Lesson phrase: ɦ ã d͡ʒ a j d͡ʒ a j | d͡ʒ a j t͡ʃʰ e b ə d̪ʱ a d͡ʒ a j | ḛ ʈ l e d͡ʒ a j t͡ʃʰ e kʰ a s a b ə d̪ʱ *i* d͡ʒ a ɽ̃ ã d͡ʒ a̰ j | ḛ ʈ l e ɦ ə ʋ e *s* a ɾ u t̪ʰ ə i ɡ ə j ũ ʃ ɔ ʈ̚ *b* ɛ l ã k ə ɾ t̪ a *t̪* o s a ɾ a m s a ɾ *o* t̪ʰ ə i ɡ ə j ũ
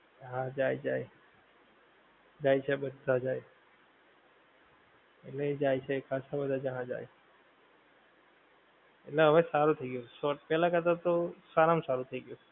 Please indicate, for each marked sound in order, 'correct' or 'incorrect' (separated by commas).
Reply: incorrect, correct, incorrect, correct, incorrect